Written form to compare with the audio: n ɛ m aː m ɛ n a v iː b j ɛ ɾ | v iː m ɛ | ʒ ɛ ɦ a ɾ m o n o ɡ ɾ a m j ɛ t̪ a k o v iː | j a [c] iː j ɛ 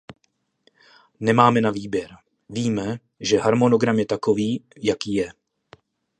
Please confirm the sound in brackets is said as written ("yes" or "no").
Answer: no